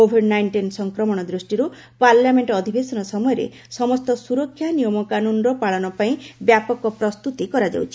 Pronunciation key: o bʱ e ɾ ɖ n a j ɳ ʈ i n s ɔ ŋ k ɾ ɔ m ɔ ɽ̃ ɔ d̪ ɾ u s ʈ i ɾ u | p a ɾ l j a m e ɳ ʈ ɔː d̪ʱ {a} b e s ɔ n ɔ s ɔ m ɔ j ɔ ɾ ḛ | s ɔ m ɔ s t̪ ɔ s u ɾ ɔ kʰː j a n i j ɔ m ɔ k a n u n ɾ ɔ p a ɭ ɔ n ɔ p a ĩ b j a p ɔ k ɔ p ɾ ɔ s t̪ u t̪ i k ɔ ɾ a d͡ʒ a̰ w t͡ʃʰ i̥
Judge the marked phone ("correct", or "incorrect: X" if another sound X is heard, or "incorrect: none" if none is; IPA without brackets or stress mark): incorrect: i